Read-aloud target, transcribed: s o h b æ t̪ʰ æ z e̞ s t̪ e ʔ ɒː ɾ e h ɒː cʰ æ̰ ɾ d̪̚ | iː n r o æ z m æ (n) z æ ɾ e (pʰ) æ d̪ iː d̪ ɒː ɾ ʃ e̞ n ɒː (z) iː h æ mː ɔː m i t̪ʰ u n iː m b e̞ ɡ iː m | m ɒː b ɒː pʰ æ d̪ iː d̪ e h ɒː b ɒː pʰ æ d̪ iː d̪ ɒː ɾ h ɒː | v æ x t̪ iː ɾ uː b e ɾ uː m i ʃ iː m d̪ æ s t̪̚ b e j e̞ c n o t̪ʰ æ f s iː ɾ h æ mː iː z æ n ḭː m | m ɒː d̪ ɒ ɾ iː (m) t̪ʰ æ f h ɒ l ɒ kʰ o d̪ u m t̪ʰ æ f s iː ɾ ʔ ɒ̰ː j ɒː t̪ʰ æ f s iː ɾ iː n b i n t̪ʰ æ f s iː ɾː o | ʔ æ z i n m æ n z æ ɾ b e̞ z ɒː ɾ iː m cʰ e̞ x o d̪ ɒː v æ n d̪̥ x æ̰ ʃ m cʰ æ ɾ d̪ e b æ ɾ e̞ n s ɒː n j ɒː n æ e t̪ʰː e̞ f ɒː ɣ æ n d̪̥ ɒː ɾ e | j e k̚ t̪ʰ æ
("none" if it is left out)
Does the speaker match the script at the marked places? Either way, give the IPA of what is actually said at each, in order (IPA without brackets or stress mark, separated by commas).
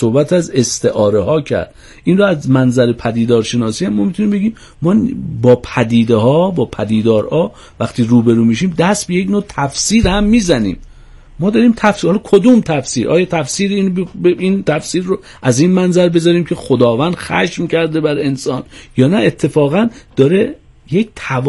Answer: n, pʰ, s, m